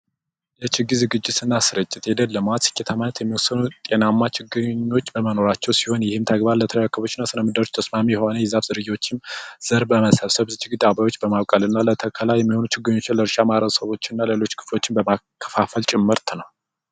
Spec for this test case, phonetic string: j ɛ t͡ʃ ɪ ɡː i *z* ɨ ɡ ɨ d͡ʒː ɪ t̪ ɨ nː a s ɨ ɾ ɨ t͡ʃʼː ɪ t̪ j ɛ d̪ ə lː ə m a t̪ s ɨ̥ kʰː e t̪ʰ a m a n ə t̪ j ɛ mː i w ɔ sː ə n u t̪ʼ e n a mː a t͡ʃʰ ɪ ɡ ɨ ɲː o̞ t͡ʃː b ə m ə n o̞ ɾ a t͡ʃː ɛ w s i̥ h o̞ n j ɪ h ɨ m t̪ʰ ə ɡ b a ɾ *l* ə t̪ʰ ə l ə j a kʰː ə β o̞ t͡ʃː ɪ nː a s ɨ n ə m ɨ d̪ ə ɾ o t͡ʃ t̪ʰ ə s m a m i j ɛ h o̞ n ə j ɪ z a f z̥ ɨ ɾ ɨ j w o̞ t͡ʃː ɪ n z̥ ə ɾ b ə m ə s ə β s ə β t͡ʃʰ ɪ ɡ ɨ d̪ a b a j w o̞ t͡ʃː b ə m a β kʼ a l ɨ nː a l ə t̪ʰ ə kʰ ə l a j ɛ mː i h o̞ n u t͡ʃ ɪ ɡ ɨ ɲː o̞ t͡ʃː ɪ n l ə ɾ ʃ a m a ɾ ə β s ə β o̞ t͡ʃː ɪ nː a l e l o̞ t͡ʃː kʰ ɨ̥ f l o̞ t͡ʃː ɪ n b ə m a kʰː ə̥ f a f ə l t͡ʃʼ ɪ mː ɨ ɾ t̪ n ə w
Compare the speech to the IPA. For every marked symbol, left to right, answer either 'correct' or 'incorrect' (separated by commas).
correct, correct